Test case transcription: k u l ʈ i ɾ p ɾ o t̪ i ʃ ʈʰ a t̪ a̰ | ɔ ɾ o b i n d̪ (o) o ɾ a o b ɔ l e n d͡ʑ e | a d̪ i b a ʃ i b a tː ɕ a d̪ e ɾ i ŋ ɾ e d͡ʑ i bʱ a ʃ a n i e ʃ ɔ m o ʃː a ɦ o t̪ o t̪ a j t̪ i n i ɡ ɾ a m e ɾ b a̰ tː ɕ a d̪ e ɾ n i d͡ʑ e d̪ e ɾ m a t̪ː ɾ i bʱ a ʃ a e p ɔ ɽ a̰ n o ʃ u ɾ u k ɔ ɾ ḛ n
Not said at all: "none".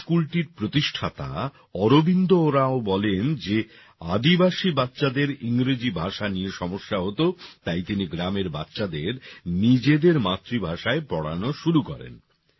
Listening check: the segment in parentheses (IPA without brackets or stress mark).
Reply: o